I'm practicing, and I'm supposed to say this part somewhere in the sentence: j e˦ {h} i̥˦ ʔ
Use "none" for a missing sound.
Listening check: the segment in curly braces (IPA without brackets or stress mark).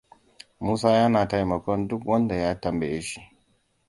ʃ